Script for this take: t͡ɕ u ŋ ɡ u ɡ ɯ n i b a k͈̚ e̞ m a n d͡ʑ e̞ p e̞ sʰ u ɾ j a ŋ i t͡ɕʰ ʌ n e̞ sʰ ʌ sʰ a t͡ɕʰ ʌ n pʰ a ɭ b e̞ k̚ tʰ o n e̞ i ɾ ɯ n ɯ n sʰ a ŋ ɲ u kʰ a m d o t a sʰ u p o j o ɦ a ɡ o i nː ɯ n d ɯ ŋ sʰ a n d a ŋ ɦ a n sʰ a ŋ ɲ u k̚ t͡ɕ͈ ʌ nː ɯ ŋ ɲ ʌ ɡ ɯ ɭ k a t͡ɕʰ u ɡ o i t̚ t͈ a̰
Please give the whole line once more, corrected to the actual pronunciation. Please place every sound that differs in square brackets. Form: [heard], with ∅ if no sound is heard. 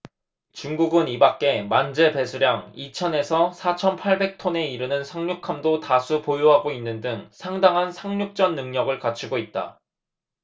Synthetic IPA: t͡ɕ u ŋ ɡ u ɡ ɯ n i b a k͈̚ e̞ m a n d͡ʑ e̞ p e̞ sʰ u ɾ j a ŋ i t͡ɕʰ ʌ n e̞ sʰ ʌ sʰ a t͡ɕʰ ʌ n pʰ a ɭ b e̞ k̚ tʰ o n e̞ i ɾ ɯ n ɯ n sʰ a ŋ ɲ u kʰ a m d o t a sʰ u p o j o ɦ a ɡ o i nː ɯ n d ɯ ŋ sʰ a [ŋ] d a ŋ ɦ a n sʰ a ŋ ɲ u k̚ t͡ɕ͈ ʌ nː ɯ ŋ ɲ ʌ ɡ ɯ ɭ k a t͡ɕʰ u ɡ o i t̚ t͈ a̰